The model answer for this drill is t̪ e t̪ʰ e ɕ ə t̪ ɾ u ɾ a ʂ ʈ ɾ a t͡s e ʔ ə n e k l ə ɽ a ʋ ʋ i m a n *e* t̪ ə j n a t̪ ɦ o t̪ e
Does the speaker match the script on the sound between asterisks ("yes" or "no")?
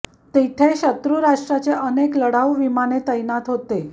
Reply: yes